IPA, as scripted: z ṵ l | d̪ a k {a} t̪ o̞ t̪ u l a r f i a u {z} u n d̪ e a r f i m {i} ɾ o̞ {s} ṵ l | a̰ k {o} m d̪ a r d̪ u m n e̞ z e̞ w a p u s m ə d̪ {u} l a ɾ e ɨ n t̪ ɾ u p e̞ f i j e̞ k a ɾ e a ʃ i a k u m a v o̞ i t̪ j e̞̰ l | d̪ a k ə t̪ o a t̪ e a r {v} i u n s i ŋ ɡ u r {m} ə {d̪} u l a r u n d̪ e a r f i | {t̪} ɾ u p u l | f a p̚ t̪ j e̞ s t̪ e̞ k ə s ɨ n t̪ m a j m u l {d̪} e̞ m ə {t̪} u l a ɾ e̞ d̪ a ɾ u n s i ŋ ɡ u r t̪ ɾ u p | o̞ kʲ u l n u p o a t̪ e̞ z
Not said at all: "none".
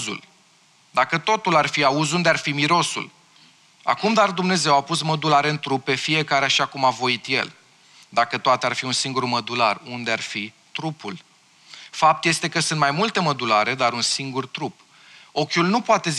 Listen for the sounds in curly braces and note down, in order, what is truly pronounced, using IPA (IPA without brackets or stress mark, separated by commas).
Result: ə, z, i, s, u, u, f, m, d̪, t̪, t̪, d̪